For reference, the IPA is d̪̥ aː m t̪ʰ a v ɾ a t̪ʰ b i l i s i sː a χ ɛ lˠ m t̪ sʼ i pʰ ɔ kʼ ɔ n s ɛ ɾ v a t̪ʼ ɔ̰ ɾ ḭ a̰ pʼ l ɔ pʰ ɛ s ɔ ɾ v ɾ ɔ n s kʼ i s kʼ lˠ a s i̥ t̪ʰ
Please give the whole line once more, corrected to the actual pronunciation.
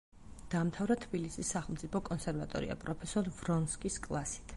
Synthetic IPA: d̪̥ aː m t̪ʰ a v ɾ a t̪ʰ b i l i s i sː a χ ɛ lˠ m t̪ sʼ i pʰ ɔ kʼ ɔ n s ɛ ɾ v a t̪ʼ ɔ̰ ɾ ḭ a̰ pʼ ɾ ɔ pʰ ɛ s ɔ ɾ v ɾ ɔ n s kʼ i s kʼ lˠ a s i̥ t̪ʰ